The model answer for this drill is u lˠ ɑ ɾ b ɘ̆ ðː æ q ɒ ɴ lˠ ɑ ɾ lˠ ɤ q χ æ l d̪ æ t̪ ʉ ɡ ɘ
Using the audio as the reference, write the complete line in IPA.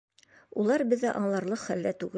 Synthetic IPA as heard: u lˠ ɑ ɾ b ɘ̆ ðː æ ʔ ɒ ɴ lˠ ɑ ɾ lˠ ɤ q χ æ l d̪ æ t̪ ʉ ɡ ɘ